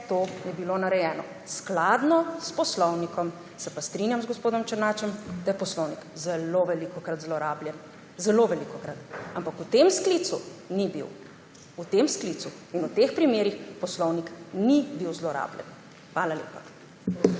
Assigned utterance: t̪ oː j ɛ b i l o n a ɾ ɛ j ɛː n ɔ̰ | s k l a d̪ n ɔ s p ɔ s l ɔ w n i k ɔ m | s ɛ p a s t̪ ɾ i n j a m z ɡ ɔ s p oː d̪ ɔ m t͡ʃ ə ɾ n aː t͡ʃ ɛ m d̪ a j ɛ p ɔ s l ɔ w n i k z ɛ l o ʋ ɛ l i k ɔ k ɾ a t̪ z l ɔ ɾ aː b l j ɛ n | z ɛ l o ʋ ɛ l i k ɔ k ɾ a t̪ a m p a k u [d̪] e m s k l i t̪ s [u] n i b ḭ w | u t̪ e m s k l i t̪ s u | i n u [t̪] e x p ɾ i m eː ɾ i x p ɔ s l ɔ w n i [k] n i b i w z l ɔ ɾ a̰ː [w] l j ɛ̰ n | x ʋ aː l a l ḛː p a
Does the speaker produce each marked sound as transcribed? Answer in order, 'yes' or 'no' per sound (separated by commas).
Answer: no, yes, yes, yes, no